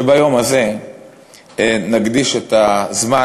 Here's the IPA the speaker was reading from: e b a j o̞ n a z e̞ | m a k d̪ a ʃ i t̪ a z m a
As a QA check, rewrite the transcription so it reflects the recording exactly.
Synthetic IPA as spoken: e b a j o̞ m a z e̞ | n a ɡ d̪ i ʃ e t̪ a z m a